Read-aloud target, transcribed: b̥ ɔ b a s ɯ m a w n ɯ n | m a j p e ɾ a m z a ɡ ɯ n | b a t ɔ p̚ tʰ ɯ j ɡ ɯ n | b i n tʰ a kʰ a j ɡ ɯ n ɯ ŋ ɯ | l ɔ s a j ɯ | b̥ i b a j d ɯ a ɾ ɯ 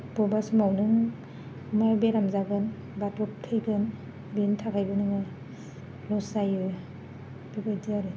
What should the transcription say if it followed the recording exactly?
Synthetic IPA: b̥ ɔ b a s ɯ m a w n ɯ ŋ | m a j b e ɾ a m z a ɡ ɯ n | b a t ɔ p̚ tʰ ɯ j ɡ ɯ n | b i n tʰ a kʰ a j b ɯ n ɯ ŋ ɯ | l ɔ s a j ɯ | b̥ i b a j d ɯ a ɾ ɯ